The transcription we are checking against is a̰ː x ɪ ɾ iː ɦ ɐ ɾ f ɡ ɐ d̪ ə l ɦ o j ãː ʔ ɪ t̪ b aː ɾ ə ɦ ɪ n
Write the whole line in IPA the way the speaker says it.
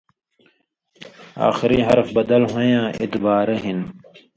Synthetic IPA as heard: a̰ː x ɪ ɾ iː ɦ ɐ ɾ f b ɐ d̪ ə l ɦ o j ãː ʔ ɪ t̪ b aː ɾ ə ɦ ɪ n